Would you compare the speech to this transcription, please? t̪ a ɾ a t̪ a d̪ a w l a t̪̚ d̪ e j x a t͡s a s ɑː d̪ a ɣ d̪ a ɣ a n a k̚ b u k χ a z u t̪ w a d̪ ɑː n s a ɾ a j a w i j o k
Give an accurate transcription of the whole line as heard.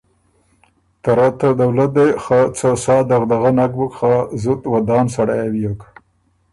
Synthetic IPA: t̪ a ɾ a t̪ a d̪ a w l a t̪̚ d̪ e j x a t͡s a s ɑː d̪ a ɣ d̪ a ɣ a n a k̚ b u k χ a z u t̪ w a d̪ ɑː n s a ɽ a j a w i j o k